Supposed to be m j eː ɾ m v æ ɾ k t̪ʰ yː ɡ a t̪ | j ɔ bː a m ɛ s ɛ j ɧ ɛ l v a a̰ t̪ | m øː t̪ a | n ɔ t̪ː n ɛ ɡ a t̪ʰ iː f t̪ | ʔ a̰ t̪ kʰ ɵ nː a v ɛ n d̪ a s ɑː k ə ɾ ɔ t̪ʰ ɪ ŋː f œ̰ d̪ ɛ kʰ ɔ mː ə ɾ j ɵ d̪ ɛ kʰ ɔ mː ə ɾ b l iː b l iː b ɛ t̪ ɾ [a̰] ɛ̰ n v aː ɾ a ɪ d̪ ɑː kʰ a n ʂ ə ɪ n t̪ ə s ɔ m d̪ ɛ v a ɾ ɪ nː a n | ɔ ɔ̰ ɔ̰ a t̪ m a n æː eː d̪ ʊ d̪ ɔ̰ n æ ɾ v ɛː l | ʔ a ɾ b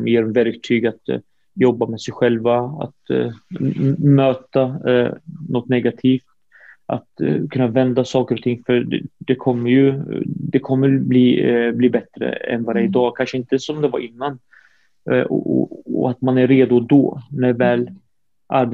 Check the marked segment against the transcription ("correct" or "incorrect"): incorrect